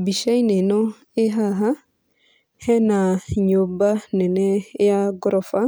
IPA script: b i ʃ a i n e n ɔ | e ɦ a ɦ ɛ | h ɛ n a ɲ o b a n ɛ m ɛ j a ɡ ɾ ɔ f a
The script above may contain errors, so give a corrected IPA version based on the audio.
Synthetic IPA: b i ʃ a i n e n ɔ | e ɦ a ɦ a | h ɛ n a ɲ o b a n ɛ n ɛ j a ɡ ɾ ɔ f a